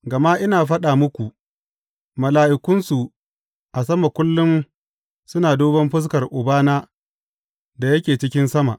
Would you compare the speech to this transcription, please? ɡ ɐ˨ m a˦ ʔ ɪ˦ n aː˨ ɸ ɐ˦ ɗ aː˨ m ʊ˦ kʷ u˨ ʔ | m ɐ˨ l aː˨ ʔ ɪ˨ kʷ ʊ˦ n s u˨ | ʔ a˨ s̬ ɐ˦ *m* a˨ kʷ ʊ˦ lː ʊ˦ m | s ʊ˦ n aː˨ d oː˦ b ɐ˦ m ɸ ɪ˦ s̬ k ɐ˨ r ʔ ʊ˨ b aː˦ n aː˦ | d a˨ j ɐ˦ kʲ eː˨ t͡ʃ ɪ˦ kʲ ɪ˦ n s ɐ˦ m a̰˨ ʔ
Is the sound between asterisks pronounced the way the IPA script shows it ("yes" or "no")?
yes